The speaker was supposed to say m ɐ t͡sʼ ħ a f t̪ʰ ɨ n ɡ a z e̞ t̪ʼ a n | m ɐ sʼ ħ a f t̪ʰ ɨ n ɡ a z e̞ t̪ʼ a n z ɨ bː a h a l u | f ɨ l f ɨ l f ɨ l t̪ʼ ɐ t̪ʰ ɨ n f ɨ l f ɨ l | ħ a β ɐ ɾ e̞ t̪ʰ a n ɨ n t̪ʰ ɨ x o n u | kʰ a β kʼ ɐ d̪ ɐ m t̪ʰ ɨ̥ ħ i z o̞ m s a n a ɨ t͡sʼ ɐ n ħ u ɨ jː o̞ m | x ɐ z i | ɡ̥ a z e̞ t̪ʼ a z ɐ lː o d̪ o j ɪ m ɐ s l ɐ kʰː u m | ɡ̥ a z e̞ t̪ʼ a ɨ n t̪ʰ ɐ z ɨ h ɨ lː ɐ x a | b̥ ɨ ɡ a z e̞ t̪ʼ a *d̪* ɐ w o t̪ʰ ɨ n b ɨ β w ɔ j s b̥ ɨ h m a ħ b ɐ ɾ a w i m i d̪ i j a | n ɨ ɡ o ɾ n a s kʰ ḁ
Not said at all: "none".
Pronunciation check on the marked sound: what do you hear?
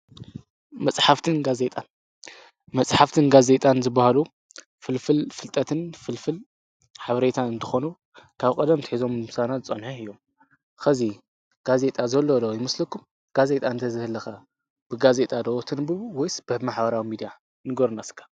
d̪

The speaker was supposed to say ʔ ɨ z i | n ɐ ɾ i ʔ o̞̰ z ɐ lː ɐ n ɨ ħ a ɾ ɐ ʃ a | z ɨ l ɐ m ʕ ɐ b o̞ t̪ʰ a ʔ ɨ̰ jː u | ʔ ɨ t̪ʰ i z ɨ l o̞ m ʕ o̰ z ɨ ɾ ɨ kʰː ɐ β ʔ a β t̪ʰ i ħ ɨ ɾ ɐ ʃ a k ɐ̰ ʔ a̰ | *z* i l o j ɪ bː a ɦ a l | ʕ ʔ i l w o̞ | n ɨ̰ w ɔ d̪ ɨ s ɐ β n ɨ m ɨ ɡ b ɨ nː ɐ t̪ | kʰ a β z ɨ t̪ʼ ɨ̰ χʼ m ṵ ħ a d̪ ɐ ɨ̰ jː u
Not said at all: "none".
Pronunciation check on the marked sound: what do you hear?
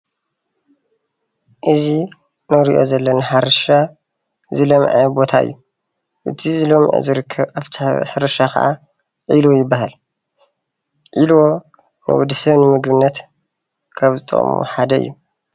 ʕ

